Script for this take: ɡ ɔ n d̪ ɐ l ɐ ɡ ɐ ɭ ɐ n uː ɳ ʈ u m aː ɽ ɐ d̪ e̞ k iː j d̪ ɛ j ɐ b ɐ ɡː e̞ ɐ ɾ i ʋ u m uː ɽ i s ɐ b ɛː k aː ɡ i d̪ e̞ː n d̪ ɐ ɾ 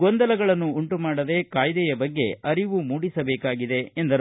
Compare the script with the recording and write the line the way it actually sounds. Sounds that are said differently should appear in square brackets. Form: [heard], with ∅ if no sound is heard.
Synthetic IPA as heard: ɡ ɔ n d̪ ɐ l ɐ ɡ ɐ ɭ ɐ [nː] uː ɳ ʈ u m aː ɽ ɐ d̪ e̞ k [aː] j d̪ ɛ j ɐ b ɐ ɡː e̞ ɐ ɾ i ʋ u m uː ɽ i s ɐ b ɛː k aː ɡ i d̪ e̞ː n d̪ ɐ ɾ